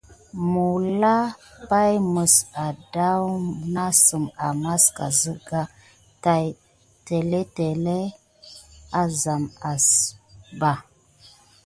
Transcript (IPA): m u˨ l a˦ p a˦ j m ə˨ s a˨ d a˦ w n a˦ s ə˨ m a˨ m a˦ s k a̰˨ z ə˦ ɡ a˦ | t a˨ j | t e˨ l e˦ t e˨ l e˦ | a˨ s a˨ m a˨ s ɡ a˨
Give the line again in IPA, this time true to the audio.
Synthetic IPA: m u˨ l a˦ p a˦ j m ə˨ s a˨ d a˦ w n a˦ s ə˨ m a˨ m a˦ s k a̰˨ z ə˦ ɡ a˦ | t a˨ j | t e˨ l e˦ t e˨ l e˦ | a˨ z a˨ m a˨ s b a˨